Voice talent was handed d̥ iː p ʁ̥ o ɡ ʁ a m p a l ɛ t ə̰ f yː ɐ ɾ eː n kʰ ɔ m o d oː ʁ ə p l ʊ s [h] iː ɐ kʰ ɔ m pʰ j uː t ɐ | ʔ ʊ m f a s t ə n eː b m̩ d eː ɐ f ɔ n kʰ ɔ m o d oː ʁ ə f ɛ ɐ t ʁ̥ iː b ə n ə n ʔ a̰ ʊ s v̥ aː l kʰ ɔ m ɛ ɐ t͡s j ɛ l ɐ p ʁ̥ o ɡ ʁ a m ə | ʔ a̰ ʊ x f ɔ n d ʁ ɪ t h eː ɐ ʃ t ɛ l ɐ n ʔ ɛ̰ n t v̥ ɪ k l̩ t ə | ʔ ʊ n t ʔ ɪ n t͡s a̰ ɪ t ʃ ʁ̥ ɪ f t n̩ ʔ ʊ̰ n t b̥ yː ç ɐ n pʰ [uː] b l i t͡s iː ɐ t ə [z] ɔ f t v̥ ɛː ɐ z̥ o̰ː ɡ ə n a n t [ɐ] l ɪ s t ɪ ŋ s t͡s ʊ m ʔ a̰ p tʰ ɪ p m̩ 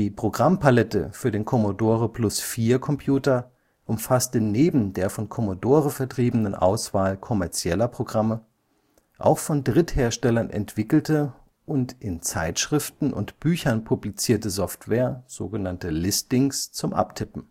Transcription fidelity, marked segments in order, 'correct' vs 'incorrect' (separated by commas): incorrect, incorrect, correct, incorrect